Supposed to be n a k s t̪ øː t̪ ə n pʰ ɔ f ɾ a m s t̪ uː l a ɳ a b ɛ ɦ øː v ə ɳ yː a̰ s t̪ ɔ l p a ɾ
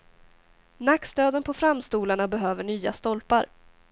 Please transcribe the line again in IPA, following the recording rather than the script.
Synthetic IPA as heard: n a k s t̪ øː d̪ ə n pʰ ɔ f ɾ a m s t̪ uː l a ɳ a b ɛ ɦ øː v ə ɳ yː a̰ s t̪ ɔ l p a ɾ